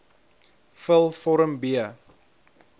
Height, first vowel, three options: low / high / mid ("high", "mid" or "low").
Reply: mid